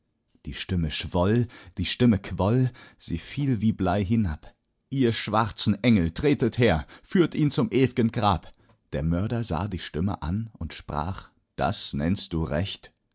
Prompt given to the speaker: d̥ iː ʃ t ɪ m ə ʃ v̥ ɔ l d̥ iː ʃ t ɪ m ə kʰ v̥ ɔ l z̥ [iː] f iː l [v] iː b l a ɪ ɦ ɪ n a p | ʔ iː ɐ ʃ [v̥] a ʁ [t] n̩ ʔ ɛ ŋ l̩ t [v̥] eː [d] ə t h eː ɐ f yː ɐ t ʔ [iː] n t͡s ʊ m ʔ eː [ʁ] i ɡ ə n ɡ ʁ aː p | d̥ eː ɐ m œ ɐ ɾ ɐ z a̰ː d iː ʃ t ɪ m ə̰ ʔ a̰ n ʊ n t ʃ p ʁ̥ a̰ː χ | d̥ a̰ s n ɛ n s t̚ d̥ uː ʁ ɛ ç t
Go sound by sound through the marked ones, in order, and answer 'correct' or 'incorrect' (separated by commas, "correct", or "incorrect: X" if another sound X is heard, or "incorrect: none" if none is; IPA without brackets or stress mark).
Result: correct, correct, correct, incorrect: t͡s, incorrect: ʁ̥, incorrect: t, correct, incorrect: v